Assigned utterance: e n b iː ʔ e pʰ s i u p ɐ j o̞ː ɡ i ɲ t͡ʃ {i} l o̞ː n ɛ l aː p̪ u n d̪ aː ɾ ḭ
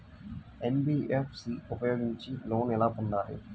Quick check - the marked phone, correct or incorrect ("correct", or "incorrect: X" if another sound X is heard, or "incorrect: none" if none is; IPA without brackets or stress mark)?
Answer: correct